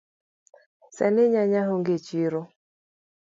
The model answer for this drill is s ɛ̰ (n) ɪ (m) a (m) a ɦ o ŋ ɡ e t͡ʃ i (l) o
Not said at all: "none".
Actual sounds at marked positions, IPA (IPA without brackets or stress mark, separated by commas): n, ɲ, ɲ, ɾ